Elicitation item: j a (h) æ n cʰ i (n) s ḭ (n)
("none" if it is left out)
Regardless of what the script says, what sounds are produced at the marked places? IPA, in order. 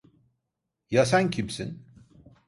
s, m, n

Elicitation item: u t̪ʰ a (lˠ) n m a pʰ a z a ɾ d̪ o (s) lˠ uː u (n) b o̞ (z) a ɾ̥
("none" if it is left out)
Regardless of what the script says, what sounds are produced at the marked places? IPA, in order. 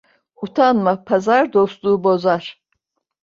none, s, none, z

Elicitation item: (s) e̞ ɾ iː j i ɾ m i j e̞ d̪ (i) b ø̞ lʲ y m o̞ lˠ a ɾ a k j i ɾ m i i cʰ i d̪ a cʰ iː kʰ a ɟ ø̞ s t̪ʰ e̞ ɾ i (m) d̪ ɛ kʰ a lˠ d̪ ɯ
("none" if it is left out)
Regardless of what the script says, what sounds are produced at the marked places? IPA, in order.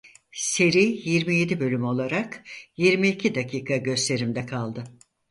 s, i, m

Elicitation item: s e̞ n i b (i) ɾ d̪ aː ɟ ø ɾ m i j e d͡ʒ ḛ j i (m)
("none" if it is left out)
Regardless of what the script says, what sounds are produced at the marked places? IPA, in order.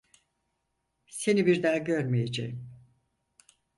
i, m

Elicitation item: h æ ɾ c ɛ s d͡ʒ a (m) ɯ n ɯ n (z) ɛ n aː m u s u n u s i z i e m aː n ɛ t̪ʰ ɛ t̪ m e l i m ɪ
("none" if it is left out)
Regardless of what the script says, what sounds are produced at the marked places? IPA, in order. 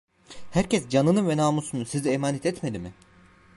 n, v

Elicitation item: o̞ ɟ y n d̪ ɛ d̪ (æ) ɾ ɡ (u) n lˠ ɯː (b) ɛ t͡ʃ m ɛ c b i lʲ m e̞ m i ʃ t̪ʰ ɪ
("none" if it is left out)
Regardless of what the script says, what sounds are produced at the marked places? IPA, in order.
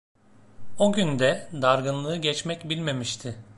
a, ɯ, ɟ

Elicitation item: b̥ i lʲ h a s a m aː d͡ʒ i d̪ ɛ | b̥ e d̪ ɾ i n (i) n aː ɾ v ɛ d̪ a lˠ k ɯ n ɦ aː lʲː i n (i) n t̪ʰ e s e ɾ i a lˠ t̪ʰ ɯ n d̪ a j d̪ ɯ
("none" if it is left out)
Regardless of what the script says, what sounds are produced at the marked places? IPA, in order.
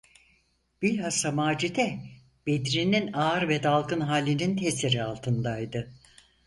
i, i

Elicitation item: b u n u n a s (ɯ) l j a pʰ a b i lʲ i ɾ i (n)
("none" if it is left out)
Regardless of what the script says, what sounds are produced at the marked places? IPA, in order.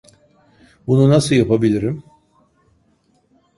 ɯ, m

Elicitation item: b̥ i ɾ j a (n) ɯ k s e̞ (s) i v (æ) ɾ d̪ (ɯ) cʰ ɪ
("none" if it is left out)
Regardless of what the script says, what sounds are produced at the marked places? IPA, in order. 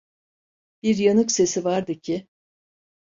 n, s, a, ɯ

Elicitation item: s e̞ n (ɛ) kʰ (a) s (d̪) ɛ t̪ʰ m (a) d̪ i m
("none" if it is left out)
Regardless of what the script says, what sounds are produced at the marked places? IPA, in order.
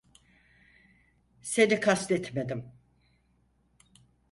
i, a, t̪, e

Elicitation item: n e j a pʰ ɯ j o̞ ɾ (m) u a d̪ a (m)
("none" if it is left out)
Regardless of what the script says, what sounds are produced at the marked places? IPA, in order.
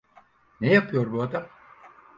b, m

